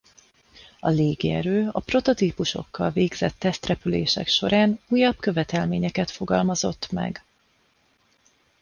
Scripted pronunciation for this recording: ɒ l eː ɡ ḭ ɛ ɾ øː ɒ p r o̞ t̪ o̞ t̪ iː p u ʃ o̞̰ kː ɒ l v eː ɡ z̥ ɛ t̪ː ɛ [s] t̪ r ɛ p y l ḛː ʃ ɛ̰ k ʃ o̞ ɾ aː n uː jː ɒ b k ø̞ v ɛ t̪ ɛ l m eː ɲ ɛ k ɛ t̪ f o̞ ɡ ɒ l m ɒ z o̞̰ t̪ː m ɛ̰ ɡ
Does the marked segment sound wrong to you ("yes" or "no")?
no